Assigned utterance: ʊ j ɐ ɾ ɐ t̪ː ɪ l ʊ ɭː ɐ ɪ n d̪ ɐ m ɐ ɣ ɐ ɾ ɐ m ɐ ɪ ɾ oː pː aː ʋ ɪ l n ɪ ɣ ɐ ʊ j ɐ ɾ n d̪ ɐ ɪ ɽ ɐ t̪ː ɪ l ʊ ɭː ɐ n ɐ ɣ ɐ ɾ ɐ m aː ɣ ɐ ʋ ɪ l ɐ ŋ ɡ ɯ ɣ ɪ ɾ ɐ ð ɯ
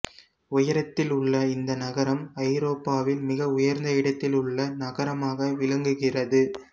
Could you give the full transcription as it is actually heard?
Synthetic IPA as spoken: ʊ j ɐ ɾ ɐ t̪ː ɪ l ʊ ɭː ɐ ɪ n d̪ ɐ n ɐ ɣ ɐ ɾ ɐ m ɐ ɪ ɾ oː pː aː ʋ ɪ l m ɪ ɣ ɐ ʊ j ɐ ɾ n d̪ ɐ ɪ ɽ ɐ t̪ː ɪ l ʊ ɭː ɐ n ɐ ɣ ɐ ɾ ɐ m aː ɣ ɐ ʋ ɪ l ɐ ŋ ɡ ɯ ɣ ɪ r ɐ ð ɯ